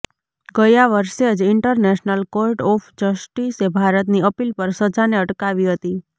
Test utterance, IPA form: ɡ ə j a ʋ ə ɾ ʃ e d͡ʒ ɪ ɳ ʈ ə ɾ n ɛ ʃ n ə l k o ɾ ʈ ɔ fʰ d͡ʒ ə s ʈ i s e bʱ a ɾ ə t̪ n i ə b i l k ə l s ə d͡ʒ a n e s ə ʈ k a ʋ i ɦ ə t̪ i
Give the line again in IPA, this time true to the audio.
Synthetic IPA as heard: ɡ ə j a ʋ ə ɾ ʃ e d͡ʒ ɪ ɳ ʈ ə ɾ n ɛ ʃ n ə l k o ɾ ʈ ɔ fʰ d͡ʒ ə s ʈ i s e bʱ a ɾ ə t̪ n i ə p i l p ə ɾ s ə d͡ʒ a n e ə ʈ k a ʋ i ɦ ə t̪ i